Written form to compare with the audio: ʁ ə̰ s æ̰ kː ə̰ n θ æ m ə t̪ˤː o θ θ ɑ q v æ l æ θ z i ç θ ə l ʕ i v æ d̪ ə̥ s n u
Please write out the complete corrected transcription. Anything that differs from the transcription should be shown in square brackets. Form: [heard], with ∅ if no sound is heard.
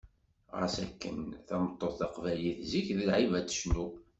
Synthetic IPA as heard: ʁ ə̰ s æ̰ kː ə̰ n θ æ m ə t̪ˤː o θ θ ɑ q v æ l [i] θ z i ç [ð] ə l ʕ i v æ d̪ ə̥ [ʃ] n u